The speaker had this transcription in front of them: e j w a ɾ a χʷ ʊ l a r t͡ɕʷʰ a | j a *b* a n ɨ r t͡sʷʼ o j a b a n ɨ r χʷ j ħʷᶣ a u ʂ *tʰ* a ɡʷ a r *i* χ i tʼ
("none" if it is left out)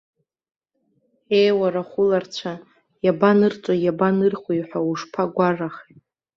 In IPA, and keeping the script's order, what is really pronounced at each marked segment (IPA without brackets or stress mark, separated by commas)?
b, pʰ, a